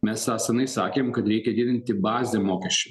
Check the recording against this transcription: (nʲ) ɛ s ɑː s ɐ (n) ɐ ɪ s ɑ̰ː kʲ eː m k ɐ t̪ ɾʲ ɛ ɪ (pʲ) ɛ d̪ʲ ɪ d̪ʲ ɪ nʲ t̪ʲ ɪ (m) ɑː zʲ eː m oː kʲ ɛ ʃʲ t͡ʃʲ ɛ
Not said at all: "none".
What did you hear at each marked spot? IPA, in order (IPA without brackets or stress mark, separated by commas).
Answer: mʲ, n, kʲ, b